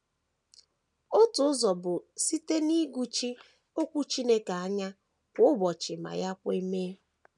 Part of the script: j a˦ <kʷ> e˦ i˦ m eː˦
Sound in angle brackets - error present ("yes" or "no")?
no